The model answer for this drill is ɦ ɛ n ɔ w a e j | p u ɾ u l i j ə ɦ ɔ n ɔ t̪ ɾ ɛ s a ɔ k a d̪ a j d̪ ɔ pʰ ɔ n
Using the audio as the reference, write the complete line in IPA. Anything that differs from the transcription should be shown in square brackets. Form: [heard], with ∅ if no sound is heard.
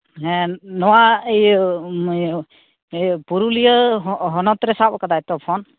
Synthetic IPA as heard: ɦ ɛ n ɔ w a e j | p u ɾ u l i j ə ɦ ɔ n ɔ t̪ ɾ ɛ s a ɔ k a d̪ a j [t̪] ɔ pʰ ɔ n